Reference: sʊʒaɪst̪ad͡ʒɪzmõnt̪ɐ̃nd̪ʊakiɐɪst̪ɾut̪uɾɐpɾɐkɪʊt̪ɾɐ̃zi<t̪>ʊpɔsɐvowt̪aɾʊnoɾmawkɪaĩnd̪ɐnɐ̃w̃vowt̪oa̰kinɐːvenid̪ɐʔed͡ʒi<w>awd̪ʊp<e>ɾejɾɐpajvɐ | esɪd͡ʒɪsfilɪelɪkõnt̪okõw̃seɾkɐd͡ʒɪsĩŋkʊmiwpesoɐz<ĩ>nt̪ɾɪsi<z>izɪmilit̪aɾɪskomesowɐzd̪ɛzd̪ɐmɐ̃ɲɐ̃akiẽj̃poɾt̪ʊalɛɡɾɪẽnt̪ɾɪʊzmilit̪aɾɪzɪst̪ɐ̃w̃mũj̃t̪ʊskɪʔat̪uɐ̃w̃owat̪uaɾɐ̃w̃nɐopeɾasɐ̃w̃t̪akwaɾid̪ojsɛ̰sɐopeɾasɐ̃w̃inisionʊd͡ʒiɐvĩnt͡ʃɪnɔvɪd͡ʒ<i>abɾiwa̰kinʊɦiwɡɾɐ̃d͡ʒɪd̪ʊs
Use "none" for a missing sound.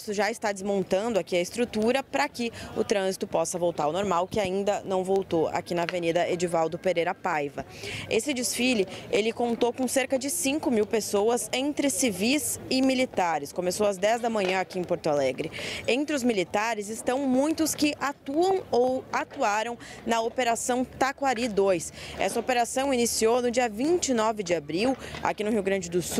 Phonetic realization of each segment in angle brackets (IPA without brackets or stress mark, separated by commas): t̪, v, e, ẽ, v, ɪ